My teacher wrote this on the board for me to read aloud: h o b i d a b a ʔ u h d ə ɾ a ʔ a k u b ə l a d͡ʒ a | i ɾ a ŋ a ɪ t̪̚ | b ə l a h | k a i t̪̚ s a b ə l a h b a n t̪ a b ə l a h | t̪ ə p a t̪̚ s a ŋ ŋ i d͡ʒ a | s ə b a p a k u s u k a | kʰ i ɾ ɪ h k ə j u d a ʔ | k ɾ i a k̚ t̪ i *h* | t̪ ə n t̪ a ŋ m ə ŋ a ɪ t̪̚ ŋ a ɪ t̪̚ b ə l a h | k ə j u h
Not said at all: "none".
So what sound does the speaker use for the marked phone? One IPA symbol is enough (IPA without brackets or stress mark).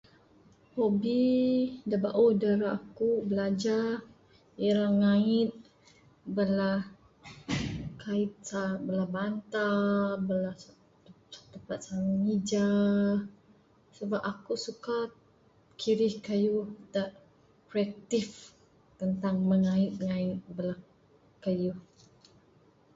f